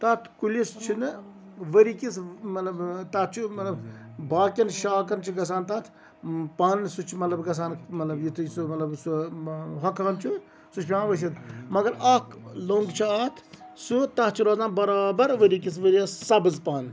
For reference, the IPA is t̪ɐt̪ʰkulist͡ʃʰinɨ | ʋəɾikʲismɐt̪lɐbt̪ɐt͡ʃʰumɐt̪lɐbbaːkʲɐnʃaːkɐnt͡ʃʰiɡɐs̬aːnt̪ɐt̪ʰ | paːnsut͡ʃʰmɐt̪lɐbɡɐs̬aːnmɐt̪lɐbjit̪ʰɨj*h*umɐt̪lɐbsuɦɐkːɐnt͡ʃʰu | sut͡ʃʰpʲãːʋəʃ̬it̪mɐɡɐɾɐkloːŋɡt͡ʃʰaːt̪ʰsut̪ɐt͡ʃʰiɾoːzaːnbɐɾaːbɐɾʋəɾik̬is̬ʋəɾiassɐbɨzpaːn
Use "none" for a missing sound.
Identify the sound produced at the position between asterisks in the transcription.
s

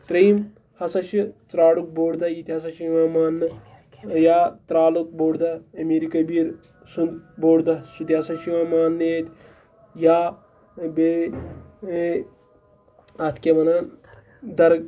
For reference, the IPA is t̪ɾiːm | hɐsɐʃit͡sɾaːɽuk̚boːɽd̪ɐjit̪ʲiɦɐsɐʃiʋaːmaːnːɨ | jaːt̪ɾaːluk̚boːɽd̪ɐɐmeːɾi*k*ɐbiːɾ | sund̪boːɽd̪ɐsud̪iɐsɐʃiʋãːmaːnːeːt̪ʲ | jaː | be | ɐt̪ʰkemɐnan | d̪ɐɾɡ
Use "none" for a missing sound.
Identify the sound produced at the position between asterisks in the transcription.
k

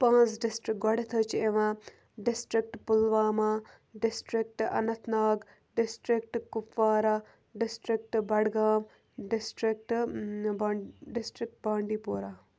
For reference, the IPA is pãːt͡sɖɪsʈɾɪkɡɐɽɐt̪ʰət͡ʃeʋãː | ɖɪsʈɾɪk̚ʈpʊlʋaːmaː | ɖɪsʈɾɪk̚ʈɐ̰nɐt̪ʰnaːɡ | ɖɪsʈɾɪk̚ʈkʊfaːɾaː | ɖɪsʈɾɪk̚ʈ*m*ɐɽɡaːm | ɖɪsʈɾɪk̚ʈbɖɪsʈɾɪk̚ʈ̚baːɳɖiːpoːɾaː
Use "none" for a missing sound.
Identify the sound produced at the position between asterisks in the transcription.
b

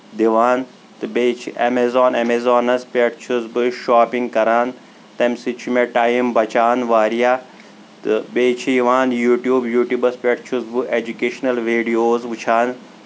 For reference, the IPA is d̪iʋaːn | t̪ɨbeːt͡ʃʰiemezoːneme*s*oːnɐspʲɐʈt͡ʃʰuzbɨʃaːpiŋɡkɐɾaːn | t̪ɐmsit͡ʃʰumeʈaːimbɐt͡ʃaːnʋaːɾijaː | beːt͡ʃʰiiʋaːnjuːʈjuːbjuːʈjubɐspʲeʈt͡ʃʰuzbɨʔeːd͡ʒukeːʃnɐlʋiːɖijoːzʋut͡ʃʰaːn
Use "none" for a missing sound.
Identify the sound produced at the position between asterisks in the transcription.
z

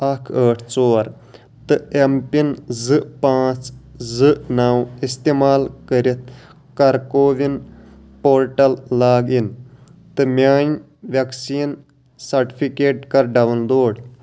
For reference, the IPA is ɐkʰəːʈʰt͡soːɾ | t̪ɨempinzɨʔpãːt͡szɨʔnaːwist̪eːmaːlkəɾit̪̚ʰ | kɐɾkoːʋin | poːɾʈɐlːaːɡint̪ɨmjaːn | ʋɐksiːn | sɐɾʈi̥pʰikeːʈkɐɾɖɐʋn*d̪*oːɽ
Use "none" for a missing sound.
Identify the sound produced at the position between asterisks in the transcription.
d̪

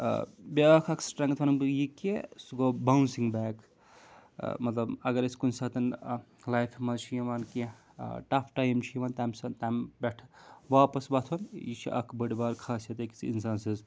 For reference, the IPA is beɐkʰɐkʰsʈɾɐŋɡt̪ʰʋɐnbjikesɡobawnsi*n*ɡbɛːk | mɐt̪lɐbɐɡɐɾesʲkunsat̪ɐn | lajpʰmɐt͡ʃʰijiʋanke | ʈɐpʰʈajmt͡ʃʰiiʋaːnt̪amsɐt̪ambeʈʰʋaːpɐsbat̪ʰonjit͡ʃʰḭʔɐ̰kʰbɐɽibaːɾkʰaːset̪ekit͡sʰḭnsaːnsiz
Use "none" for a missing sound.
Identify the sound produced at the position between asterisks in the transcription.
ŋ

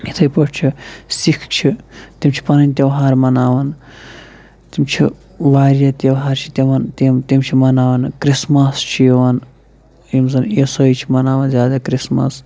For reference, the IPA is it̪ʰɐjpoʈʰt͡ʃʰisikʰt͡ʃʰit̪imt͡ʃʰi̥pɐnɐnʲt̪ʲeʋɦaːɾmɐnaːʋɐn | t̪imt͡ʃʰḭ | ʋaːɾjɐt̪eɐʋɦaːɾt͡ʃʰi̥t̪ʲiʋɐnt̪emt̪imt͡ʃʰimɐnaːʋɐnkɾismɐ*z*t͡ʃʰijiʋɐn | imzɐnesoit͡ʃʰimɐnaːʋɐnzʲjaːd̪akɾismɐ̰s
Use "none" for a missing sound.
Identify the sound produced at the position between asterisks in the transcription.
s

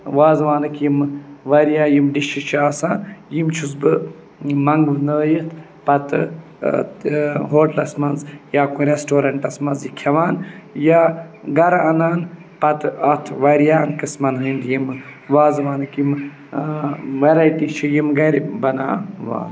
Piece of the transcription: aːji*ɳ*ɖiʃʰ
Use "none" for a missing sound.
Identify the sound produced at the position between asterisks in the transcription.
m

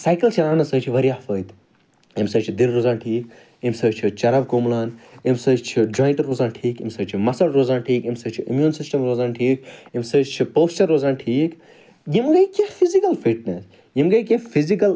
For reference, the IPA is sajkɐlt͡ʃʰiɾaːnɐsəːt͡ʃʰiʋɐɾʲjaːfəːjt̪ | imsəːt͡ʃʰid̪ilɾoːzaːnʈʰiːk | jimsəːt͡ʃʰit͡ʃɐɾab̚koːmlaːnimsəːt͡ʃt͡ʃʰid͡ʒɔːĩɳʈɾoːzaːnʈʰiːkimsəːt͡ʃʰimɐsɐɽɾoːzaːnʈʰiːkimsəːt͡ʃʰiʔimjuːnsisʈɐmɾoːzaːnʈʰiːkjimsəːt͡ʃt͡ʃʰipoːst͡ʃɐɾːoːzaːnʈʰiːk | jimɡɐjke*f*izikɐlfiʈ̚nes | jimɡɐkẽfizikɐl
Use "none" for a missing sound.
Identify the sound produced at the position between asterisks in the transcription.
f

